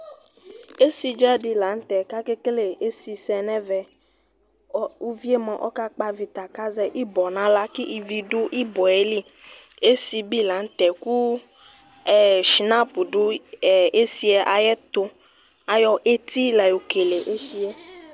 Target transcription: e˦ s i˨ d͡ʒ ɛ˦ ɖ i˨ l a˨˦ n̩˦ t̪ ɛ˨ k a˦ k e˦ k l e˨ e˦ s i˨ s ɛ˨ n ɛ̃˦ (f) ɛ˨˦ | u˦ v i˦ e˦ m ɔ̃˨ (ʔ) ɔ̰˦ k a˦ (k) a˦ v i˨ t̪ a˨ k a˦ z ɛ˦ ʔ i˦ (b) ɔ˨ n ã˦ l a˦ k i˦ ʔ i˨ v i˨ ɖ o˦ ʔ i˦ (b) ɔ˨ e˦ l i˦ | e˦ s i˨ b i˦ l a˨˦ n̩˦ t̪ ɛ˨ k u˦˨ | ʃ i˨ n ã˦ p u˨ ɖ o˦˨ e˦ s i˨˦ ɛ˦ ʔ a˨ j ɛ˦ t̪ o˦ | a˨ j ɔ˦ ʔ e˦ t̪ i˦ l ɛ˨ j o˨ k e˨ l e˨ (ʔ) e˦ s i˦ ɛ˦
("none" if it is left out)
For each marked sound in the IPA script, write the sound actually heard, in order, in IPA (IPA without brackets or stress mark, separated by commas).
v, ʔ, k͡p, b, b, ʔ